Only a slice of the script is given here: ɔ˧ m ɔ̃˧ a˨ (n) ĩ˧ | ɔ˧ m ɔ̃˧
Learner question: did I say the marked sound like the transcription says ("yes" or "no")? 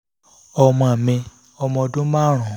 no